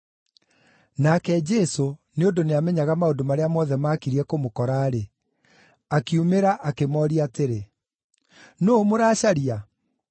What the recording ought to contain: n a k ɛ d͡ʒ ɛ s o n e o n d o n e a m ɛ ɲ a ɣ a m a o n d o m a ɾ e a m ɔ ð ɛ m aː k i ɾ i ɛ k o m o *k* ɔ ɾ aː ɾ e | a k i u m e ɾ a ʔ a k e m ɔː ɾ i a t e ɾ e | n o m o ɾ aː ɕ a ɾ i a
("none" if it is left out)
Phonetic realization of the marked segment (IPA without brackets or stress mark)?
k